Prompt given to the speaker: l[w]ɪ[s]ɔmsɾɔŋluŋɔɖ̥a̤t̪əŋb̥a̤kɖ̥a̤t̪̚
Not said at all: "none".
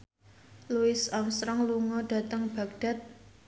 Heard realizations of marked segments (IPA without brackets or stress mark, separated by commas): u, s